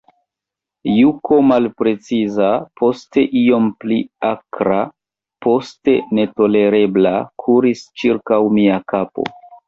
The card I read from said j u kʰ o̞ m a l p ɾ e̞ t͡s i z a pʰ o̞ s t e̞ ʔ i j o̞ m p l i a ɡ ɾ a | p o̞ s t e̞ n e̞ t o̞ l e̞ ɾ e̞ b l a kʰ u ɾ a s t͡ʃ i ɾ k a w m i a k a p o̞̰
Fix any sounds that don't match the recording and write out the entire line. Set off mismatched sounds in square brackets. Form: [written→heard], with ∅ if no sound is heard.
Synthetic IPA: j u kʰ o̞ m a l p ɾ e̞ t͡s i z a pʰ o̞ s t e̞ ʔ i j o̞ m p l i a [ɡ→k] ɾ a | p o̞ s t e̞ n e̞ t o̞ l e̞ ɾ e̞ b l a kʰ u ɾ [a→i] s t͡ʃ i ɾ k a w m i a k a p o̞̰